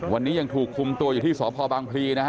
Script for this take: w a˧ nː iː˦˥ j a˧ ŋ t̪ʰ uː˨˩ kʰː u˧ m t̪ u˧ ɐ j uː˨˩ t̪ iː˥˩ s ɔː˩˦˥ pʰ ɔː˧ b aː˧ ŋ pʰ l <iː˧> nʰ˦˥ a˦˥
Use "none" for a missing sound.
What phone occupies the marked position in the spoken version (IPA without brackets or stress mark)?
iː˧